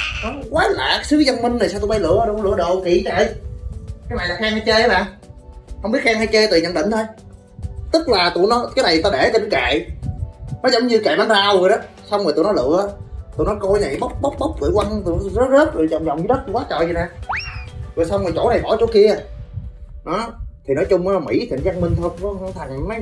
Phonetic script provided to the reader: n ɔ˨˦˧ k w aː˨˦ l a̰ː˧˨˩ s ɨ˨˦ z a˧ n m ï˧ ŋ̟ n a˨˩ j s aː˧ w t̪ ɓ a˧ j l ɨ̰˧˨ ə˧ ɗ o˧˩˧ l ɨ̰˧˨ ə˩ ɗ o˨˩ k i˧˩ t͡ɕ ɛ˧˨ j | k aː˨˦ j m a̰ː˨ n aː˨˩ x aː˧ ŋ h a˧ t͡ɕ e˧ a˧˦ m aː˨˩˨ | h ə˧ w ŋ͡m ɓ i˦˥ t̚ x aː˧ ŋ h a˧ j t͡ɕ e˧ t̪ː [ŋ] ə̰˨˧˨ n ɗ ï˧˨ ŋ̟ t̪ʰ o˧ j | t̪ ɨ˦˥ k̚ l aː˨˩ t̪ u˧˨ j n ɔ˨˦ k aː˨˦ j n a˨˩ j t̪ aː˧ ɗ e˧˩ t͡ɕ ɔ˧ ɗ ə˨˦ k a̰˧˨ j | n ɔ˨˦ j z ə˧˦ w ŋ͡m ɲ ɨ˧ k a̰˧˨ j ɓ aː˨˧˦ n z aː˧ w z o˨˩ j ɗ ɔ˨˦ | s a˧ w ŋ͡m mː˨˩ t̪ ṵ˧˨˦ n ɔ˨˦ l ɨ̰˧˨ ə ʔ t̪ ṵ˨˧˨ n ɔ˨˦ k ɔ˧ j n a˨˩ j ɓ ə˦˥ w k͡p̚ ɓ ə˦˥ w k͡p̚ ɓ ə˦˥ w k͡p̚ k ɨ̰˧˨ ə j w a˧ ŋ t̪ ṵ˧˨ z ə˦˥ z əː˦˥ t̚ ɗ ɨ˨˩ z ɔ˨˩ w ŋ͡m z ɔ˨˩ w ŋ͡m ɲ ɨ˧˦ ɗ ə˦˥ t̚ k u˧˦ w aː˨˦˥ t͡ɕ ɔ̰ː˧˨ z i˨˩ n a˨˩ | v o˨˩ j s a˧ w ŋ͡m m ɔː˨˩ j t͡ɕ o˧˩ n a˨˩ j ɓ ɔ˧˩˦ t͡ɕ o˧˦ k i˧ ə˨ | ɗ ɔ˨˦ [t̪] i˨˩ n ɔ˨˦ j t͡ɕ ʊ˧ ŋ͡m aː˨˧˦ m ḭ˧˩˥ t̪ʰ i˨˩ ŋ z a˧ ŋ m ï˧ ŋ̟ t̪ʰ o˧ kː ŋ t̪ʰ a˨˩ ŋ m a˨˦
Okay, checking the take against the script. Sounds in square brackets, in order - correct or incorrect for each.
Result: incorrect, incorrect

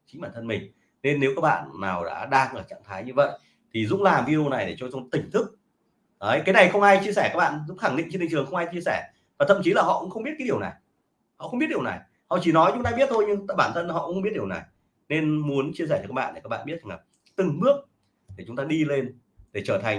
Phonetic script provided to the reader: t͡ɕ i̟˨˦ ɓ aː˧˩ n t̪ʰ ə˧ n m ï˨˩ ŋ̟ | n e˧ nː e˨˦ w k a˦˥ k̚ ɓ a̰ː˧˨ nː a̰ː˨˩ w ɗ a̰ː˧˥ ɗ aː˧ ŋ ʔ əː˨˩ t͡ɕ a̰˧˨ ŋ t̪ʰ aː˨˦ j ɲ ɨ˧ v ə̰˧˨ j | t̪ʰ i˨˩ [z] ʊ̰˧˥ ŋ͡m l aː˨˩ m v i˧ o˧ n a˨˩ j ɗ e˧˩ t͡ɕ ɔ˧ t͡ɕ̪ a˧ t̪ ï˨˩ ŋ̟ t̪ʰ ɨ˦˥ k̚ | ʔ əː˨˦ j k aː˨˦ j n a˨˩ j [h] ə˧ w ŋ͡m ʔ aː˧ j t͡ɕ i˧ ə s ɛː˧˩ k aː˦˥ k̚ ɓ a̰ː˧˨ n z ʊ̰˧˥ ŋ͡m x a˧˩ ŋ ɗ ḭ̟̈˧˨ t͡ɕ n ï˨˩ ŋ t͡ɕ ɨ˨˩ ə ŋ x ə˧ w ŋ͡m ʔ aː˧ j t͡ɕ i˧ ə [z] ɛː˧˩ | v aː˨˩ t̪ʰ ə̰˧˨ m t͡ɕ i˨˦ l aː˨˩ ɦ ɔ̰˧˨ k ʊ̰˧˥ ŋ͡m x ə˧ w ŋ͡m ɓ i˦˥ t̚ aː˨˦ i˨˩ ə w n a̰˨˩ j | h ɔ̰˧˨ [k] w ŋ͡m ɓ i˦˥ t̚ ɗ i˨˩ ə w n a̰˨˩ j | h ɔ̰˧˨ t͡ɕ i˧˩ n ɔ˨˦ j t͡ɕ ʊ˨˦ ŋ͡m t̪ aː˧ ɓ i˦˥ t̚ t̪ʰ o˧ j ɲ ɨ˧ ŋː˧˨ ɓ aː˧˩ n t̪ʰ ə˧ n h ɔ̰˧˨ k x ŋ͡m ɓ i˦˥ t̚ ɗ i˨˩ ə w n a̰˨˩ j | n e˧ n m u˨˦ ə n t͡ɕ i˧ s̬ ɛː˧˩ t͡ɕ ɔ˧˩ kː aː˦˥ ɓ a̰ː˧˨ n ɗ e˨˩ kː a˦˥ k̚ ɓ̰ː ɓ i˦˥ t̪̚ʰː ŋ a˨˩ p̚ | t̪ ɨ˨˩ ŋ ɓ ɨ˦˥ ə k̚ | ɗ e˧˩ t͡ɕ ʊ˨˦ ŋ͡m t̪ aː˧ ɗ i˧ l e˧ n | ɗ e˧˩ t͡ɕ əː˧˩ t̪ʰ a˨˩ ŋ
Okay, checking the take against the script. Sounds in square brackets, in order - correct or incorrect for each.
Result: correct, incorrect, incorrect, incorrect

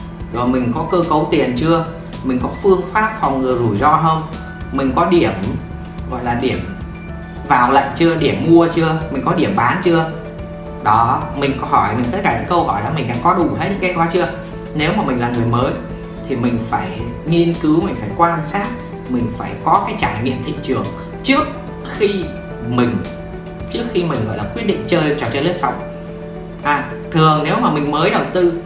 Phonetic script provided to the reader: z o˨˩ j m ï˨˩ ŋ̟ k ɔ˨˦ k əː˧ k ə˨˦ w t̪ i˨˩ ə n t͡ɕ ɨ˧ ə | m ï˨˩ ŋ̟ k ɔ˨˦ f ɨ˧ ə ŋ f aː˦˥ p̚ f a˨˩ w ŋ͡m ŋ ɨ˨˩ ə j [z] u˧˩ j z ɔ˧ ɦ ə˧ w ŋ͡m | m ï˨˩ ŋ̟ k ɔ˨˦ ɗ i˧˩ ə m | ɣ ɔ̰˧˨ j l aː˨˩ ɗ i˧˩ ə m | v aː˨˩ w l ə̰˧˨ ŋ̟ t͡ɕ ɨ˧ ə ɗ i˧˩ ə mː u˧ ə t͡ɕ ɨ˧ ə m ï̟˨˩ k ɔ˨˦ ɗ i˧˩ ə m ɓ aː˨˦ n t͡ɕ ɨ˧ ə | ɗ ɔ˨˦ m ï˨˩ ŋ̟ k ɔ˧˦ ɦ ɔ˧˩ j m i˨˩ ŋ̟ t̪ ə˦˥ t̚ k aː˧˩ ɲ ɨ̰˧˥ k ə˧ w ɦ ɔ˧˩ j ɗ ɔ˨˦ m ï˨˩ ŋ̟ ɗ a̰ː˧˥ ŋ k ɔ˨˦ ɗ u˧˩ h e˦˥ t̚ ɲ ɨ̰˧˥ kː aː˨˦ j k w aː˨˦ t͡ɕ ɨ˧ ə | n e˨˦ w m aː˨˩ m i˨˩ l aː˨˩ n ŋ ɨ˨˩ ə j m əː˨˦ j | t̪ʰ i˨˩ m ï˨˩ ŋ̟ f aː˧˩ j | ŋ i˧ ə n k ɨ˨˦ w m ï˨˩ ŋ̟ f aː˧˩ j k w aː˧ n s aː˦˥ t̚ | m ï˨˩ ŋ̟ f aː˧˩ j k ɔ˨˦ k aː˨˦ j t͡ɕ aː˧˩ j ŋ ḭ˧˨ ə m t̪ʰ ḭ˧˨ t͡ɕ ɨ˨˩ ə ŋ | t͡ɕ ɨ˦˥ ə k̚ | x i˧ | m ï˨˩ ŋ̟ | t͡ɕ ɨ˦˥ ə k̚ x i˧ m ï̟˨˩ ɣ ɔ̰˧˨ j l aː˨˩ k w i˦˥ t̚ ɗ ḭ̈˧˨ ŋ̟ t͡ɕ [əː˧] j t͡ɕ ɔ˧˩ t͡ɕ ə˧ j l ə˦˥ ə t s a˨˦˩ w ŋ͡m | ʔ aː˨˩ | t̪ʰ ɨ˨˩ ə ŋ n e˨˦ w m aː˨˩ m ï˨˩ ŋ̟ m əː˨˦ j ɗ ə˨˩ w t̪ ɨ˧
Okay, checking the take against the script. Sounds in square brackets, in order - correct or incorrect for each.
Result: correct, correct

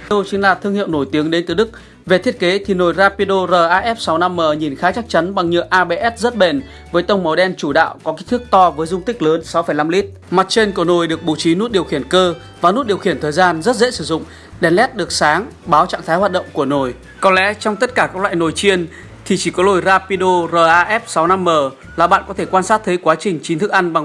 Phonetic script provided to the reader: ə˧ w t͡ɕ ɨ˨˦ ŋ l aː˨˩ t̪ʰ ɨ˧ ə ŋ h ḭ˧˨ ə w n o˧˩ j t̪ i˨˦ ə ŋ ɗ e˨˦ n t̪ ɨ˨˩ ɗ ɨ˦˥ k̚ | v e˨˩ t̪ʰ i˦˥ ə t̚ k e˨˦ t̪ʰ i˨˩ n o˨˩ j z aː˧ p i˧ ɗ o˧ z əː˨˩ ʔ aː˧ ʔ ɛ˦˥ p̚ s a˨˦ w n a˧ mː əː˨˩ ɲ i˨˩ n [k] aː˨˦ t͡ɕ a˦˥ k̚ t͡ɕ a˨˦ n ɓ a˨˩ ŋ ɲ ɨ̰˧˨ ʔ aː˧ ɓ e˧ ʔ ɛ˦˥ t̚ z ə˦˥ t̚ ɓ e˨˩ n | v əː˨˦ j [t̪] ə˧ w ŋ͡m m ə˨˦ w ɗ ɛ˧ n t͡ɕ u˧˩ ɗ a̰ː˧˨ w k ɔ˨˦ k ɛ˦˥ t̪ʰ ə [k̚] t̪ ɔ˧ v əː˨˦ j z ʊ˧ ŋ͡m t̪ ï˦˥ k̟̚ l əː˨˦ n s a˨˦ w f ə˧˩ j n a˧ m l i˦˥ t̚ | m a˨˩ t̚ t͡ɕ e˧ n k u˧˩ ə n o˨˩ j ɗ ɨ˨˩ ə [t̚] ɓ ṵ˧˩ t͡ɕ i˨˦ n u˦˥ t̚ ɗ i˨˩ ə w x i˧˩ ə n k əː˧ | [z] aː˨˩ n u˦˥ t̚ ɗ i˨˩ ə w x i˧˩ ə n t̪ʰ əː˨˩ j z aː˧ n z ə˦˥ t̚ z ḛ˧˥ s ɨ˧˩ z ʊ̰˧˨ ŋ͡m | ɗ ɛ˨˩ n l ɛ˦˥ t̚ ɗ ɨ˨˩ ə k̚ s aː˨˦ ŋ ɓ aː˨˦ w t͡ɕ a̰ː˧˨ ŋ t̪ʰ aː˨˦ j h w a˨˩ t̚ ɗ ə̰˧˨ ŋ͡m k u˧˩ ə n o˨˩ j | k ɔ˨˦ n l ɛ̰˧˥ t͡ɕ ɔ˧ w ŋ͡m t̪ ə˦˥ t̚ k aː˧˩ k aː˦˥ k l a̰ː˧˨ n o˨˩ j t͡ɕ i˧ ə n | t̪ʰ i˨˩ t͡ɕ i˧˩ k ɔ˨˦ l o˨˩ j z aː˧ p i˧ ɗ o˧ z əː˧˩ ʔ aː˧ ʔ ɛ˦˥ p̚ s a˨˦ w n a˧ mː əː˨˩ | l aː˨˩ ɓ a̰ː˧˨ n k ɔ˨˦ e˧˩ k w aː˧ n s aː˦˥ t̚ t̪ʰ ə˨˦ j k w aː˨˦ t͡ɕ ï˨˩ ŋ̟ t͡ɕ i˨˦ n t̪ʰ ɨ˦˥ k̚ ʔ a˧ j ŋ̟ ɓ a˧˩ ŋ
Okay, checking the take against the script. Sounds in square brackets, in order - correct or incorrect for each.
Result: incorrect, correct, correct, incorrect, incorrect

